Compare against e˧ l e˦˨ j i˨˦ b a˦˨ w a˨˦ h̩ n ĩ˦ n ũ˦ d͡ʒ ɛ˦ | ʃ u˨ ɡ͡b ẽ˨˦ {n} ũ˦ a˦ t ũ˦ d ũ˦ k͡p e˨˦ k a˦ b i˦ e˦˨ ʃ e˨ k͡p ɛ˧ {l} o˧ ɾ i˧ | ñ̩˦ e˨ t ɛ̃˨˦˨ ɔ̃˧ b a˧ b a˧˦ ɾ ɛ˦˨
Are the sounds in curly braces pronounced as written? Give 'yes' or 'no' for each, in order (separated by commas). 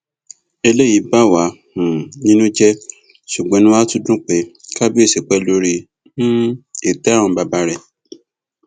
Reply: yes, yes